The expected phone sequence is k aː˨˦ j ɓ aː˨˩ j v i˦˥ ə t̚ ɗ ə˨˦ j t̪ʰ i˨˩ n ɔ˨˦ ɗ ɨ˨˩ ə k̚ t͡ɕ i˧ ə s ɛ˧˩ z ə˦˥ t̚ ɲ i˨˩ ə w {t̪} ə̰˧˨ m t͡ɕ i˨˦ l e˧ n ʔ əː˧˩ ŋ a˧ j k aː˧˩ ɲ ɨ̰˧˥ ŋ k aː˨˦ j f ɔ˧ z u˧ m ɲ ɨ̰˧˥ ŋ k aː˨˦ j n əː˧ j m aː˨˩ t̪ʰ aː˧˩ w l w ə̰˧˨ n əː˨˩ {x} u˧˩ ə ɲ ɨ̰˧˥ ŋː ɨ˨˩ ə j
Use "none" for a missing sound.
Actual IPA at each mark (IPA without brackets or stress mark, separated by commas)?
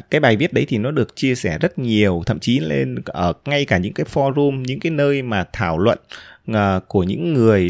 t̪ʰ, k